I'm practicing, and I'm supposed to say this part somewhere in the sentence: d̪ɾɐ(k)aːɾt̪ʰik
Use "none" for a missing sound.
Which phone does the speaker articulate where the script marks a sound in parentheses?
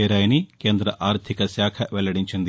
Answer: ʔ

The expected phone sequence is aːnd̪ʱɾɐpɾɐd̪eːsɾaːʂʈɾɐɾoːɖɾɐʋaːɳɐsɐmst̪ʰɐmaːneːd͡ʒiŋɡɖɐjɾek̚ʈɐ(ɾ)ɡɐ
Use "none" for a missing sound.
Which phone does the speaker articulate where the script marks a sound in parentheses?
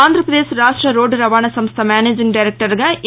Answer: ɾ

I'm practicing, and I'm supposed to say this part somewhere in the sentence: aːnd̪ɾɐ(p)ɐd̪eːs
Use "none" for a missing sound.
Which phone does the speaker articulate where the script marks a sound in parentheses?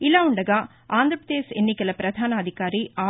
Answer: p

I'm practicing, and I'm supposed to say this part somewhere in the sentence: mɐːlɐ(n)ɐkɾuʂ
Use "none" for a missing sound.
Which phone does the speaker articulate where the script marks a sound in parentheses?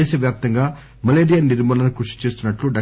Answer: n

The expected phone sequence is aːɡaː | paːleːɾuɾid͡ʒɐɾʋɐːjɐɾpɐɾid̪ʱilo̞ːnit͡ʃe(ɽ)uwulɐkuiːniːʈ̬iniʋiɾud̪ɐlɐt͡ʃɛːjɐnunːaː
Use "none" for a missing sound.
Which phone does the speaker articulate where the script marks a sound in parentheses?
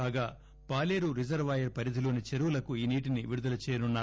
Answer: ɾ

